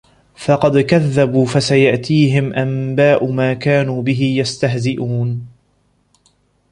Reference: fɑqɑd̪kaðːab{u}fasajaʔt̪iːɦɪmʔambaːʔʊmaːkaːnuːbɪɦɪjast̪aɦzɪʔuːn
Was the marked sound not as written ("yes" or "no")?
yes